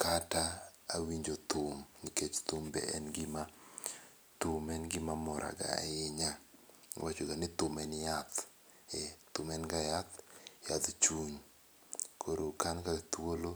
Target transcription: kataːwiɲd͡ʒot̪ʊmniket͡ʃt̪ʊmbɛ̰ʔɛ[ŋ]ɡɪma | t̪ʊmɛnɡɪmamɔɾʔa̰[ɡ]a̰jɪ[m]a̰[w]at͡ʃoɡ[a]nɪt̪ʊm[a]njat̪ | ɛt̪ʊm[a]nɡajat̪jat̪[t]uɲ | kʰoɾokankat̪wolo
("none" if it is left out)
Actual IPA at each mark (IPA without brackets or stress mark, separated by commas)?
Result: n, ɡ, ɲ, w, a, ɛ, ɛ, t͡ʃ